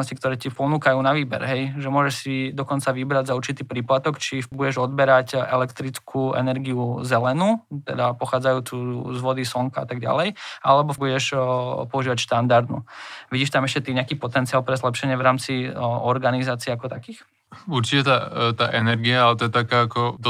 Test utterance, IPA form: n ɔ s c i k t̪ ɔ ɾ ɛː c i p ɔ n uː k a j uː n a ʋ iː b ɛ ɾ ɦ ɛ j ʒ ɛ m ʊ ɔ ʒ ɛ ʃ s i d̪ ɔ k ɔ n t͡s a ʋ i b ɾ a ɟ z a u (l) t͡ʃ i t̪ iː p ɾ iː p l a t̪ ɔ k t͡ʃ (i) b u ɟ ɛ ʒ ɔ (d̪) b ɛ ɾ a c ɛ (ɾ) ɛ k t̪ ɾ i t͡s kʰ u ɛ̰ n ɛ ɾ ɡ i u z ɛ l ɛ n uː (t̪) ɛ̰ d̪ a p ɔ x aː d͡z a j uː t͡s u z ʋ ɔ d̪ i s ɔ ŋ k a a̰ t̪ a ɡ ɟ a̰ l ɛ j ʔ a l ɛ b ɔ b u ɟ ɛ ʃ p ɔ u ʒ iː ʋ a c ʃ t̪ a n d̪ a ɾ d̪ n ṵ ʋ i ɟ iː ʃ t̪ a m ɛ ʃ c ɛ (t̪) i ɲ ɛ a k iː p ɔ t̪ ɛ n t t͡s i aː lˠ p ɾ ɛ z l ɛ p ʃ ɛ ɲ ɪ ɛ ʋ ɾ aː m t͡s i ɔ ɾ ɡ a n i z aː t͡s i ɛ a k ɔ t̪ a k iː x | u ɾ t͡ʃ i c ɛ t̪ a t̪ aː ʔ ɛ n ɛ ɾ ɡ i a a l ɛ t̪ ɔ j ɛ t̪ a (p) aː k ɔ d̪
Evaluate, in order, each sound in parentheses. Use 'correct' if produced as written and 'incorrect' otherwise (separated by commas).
incorrect, correct, correct, incorrect, correct, correct, incorrect